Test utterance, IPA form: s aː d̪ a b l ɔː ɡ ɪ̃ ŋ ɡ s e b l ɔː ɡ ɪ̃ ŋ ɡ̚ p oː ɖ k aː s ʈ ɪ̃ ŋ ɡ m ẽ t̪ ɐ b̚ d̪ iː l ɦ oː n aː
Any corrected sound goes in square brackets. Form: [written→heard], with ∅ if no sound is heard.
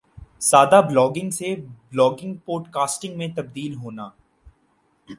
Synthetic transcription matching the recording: s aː d̪ a b l ɔː ɡ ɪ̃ ŋ ɡ s e b l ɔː ɡ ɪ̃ ŋ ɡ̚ p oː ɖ k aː s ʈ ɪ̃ ŋ ɡ m ẽ t̪ ɐ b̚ d̪ iː l ɦ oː n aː

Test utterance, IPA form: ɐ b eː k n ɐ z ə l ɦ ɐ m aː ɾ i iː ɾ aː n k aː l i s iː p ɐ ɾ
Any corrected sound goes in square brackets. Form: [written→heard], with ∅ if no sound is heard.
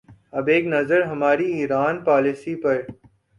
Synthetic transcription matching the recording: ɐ b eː k n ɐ z ə [l→ɾ] ɦ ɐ m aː ɾ i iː ɾ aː n [k→p] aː l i s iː p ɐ ɾ

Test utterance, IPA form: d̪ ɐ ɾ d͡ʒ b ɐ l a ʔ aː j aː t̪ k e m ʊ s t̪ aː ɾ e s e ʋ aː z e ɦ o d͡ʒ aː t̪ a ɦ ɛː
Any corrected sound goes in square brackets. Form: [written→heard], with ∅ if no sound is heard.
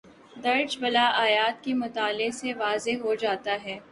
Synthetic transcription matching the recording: d̪ ɐ ɾ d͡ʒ b ɐ l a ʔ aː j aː t̪ k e m ʊ [s→∅] t̪ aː [ɾ→l] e s e ʋ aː z e ɦ o d͡ʒ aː t̪ a ɦ ɛː

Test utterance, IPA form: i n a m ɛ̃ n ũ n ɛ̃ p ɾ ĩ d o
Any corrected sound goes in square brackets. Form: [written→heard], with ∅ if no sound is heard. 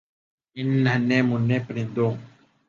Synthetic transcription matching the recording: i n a [m→n] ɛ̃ [n→m] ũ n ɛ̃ p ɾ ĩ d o

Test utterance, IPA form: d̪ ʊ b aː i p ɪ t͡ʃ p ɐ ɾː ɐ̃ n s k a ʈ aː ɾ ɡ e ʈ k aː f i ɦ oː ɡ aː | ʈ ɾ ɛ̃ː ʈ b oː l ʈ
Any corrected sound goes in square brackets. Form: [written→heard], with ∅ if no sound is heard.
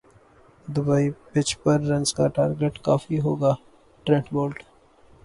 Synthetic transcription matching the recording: d̪ ʊ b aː i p ɪ t͡ʃ p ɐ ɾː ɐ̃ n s k a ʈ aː ɾ ɡ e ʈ k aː f i ɦ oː ɡ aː | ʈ ɾ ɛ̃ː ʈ b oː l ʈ

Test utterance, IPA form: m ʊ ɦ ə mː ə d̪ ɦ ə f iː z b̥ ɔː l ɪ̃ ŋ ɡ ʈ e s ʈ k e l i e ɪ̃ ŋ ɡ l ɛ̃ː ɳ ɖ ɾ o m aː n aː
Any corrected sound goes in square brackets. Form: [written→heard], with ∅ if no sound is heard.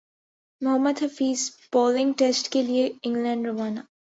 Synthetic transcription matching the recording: m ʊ ɦ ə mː ə d̪ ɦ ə f iː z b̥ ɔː l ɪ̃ ŋ ɡ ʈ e s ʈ k e l i e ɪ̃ ŋ ɡ l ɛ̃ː ɳ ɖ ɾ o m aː n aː

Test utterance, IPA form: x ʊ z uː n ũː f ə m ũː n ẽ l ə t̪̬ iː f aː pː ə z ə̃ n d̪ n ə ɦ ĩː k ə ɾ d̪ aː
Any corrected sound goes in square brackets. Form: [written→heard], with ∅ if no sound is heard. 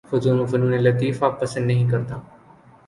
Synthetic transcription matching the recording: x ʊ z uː n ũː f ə [m→n] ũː n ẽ l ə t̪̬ iː f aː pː ə [z→s] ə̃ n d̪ n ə ɦ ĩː k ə ɾ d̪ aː

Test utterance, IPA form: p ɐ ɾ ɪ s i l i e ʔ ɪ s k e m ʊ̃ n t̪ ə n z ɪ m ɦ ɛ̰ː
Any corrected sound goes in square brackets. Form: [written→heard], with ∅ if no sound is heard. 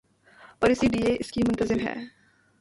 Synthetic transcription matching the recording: p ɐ ɾ ɪ s i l i e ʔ ɪ s k [e→i] m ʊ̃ n t̪ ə [n→∅] z ɪ m ɦ ɛ̰ː

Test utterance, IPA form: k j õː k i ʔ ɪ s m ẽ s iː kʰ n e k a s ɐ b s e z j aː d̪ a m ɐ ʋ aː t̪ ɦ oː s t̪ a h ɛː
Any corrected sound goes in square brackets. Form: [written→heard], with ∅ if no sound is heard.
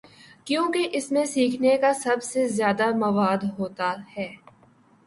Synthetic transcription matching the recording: k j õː k [i→e] ʔ ɪ s m ẽ s iː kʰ n e k a s ɐ b s e z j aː d̪ a m ɐ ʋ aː [t̪→d̪] ɦ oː [s→∅] t̪ a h ɛː

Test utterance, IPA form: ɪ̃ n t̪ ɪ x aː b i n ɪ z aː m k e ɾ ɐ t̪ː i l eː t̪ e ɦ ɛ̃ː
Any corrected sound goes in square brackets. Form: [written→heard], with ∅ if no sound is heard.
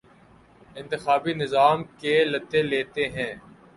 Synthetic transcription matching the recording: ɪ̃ n t̪ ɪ x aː b i n ɪ z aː m k e [ɾ→l] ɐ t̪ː [i→e] l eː t̪ e ɦ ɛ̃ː

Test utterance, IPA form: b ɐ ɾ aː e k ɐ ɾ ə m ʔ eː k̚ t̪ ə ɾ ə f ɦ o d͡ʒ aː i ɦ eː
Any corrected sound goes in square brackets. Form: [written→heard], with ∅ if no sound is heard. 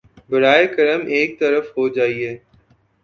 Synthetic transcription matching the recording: b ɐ ɾ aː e k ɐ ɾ ə m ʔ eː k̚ t̪ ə ɾ ə f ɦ o d͡ʒ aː i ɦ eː

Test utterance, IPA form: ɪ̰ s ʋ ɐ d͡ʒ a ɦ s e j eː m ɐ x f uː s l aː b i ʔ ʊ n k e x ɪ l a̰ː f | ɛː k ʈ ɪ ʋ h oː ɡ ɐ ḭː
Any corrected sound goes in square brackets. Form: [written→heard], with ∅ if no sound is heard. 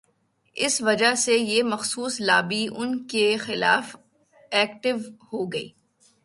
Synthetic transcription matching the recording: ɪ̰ s ʋ ɐ d͡ʒ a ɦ s e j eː m ɐ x [f→s] uː s l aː b i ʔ ʊ n k e x ɪ l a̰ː f | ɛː k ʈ ɪ ʋ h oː ɡ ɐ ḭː

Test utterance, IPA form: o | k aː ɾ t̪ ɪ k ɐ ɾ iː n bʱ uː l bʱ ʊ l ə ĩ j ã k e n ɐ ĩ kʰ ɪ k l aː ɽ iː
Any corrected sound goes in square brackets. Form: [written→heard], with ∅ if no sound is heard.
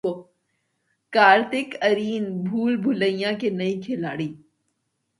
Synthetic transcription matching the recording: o | k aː ɾ t̪ ɪ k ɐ ɾ iː n bʱ uː l bʱ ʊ l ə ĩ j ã k e n ɐ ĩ kʰ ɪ [k→∅] l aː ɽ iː

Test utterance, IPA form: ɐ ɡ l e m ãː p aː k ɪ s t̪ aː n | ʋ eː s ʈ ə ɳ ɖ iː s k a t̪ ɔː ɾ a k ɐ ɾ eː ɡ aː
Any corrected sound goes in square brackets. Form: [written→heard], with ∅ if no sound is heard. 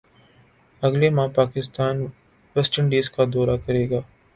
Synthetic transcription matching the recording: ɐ ɡ l e m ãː p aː k ɪ s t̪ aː n | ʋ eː s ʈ ə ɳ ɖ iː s k a [t̪→d̪] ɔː ɾ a k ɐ ɾ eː ɡ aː

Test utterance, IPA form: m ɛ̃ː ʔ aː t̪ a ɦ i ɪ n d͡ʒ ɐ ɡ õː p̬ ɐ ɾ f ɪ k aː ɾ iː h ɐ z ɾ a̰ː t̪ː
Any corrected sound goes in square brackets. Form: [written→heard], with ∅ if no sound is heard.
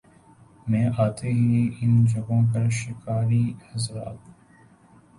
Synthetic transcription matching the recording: m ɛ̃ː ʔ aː t̪ [a→e] ɦ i ɪ n d͡ʒ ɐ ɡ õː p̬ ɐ ɾ [f→ʃ] ɪ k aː ɾ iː h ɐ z ɾ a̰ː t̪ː

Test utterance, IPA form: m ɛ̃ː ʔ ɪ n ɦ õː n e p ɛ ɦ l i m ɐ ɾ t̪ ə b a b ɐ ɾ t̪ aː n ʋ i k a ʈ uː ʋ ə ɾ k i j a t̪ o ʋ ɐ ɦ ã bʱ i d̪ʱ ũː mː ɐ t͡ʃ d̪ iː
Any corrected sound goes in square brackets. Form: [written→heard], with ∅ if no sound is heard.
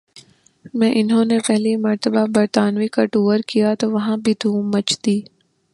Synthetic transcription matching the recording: m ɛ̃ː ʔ ɪ n ɦ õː n e p ɛ ɦ l i m ɐ ɾ t̪ ə b a b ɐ ɾ t̪ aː n ʋ i k a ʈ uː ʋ ə ɾ k i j a t̪ o ʋ ɐ ɦ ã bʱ i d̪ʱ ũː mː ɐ t͡ʃ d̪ iː

